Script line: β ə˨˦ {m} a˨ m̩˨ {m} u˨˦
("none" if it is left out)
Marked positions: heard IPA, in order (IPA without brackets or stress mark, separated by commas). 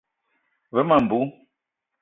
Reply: m, b